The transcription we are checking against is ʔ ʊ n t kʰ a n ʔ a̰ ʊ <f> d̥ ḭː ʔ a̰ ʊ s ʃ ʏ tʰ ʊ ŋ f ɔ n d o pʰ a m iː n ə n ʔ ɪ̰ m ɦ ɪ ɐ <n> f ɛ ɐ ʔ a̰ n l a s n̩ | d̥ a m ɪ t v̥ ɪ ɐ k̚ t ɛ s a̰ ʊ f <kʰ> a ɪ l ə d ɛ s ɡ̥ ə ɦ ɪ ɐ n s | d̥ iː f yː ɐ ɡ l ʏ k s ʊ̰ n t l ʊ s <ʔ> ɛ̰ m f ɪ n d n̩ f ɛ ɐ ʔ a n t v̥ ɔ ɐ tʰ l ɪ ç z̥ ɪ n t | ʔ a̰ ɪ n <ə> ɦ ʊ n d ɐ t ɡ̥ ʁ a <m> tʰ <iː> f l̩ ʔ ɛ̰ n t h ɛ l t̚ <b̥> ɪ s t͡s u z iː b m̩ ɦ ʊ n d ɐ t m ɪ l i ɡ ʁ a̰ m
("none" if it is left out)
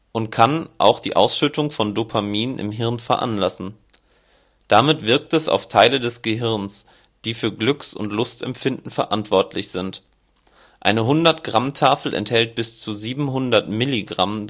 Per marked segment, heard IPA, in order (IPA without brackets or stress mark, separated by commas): x, n, tʰ, t, ə, m, aː, b̥